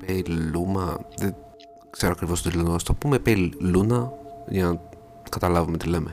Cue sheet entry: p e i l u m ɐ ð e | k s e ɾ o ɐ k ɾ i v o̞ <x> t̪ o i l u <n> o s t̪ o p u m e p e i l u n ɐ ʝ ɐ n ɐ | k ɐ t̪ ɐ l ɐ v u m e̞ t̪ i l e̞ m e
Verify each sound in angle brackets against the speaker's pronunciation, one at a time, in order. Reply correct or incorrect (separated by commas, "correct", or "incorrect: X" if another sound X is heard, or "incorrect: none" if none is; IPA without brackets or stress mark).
incorrect: s, correct